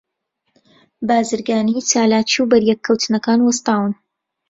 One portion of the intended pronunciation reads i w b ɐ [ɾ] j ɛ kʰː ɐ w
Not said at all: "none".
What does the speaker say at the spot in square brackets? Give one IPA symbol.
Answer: ɾ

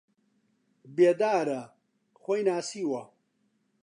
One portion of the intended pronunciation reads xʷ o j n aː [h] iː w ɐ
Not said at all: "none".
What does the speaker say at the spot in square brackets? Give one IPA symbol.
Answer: s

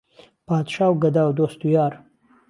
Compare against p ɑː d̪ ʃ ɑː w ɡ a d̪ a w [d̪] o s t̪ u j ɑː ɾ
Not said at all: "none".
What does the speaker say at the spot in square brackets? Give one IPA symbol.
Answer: d̪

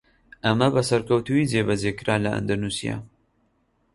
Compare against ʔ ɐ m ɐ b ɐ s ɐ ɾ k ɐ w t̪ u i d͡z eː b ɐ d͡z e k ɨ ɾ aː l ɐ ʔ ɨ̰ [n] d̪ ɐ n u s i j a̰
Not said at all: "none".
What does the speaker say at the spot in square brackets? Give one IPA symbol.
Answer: n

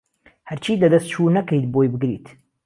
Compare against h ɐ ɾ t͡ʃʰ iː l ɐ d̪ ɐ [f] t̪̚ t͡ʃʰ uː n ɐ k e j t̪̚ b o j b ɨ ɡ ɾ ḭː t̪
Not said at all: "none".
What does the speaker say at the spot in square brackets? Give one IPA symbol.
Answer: s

